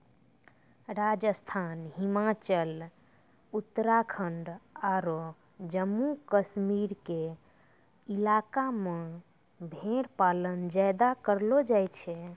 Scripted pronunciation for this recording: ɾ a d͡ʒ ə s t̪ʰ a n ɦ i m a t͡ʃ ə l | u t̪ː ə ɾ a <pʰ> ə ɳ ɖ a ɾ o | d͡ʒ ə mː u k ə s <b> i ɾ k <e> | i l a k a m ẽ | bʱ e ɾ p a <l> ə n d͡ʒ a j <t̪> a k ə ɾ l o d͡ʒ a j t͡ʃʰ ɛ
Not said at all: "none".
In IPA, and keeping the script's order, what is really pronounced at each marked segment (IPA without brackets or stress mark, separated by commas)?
kʰ, m, e, l, d̪